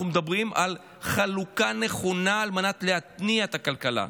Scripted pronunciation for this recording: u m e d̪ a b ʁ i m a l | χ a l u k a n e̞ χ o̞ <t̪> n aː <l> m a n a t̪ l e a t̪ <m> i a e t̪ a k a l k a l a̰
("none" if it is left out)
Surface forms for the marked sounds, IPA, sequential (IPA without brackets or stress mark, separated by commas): none, l, n